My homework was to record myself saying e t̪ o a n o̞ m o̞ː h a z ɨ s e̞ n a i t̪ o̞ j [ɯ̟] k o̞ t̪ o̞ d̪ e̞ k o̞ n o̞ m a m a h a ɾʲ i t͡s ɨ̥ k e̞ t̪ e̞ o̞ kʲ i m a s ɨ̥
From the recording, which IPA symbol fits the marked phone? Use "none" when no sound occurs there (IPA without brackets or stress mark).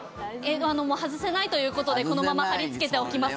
ɯ̟ː